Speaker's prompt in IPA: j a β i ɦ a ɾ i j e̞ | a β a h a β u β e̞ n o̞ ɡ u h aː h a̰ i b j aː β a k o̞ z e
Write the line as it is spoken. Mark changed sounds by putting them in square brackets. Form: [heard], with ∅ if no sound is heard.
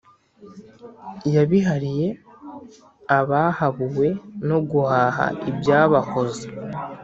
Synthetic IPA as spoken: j a β i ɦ a ɾ i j e̞ | a β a h a β u [w] e̞ n o̞ ɡ u h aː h a̰ i b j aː β a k o̞ z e